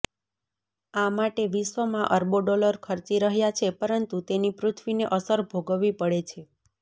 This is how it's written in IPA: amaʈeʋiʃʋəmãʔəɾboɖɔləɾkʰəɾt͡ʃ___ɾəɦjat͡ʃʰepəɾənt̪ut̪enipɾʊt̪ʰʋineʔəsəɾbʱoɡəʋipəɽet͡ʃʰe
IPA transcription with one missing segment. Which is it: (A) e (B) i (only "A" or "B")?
B